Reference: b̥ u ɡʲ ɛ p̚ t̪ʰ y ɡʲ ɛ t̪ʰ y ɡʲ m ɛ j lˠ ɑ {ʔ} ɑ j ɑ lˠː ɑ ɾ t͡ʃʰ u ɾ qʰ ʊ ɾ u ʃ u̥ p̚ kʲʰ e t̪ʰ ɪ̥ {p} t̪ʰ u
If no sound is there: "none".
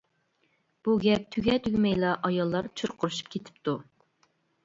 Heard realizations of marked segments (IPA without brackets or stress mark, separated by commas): ʔ, p